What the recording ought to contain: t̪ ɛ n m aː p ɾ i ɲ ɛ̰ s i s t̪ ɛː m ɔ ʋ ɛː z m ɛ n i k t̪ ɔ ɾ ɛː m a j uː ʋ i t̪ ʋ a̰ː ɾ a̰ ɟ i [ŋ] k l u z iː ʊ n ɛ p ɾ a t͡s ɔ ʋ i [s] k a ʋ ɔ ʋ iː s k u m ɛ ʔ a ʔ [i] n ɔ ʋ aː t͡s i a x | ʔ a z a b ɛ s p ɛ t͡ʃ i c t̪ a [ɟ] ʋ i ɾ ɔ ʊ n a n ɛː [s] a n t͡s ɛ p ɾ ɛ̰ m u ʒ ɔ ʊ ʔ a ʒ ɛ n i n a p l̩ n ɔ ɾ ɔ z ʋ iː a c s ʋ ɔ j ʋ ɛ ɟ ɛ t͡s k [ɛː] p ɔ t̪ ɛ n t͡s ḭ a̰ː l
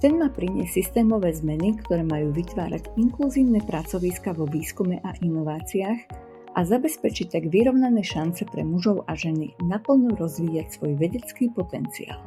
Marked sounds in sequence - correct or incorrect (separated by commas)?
correct, correct, correct, incorrect, incorrect, incorrect